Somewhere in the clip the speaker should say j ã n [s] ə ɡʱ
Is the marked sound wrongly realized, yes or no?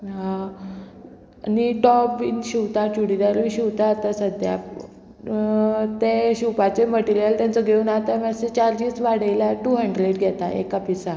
yes